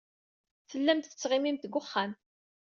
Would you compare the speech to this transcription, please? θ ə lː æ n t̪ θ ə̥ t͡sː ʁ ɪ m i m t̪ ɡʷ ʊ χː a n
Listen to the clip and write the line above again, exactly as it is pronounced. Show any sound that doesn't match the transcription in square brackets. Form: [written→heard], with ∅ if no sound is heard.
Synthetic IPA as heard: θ ə lː æ [n→m] t̪ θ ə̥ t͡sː ʁ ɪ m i m t̪ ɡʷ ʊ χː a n